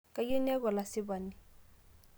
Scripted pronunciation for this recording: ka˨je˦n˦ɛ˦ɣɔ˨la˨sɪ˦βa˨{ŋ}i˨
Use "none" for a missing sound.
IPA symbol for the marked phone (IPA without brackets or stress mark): n